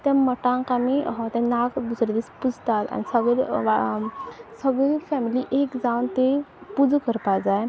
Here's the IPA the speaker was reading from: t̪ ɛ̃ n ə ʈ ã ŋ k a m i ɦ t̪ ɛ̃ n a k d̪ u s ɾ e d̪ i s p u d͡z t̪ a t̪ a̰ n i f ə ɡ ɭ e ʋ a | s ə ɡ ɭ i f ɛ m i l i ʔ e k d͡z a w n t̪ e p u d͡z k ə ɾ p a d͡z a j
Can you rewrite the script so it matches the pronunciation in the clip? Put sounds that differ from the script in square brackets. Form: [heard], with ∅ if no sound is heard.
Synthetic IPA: t̪ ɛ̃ [m] ə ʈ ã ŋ k a m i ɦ t̪ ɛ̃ n a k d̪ u s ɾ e d̪ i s p u d͡z t̪ a t̪ a̰ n i [s] ə ɡ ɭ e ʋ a | s ə ɡ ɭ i f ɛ m i l i ʔ e k d͡z a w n t̪ e p u d͡z k ə ɾ p a d͡z a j